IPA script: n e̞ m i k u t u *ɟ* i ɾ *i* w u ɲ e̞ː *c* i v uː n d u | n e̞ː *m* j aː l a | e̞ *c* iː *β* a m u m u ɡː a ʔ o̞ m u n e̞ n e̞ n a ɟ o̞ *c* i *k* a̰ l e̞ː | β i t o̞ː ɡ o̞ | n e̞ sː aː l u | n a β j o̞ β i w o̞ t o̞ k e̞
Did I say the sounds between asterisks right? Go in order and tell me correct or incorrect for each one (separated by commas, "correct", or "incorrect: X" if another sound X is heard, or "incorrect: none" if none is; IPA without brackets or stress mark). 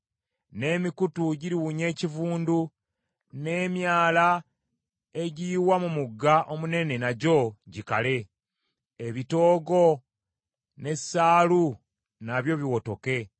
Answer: correct, correct, correct, correct, incorrect: ɟ, incorrect: w, incorrect: ɟ, correct